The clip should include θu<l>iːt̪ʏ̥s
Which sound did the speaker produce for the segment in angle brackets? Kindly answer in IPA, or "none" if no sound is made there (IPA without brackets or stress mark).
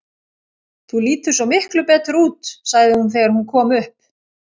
l